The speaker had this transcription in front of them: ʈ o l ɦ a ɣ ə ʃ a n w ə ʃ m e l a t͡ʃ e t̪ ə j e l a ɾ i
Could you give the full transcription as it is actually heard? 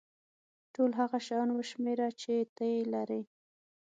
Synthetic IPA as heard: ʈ o l ɦ a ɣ a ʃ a n w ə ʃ m e ɾ a t͡ʃ e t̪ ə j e l a ɾ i